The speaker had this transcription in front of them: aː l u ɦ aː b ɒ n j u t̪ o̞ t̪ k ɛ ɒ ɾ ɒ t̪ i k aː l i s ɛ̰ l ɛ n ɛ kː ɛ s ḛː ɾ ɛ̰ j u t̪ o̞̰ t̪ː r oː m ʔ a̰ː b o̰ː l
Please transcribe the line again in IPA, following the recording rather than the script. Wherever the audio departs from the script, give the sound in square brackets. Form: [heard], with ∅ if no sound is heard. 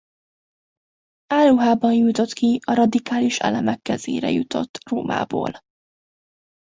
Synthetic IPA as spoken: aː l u ɦ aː b ɒ n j u t̪ o̞ t̪ k [i] ɒ ɾ ɒ [d̪] i k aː l i [ʃ] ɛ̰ l ɛ [m] ɛ kː ɛ [z] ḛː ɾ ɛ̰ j u t̪ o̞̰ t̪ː r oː m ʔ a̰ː b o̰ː l